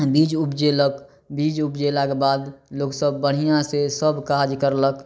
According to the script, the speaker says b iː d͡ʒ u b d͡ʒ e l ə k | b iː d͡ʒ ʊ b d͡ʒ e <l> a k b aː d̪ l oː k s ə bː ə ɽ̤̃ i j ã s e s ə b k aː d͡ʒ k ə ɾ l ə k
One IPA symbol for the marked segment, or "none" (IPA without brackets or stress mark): l